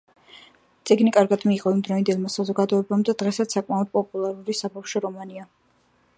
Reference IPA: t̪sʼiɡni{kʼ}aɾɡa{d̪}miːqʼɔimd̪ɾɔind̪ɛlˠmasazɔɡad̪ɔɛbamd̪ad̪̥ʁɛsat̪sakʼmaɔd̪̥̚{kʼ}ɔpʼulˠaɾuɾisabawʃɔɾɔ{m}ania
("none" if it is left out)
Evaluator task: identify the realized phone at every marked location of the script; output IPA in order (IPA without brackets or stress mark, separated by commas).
kʼ, d̪, pʼ, m